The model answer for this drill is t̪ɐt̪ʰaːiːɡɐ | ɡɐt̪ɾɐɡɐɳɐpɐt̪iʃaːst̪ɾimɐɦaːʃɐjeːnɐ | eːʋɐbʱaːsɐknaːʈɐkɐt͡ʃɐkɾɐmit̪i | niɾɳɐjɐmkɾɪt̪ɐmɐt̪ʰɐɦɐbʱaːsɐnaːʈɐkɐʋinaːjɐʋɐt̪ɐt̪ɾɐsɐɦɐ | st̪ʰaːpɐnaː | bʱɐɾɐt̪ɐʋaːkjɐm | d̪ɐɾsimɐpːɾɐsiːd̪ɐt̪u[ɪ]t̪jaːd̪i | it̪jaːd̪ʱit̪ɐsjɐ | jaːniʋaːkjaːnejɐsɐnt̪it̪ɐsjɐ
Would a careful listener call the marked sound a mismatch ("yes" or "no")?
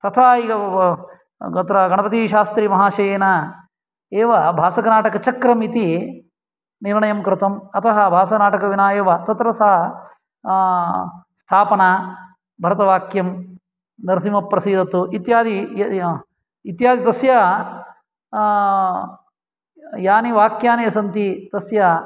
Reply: yes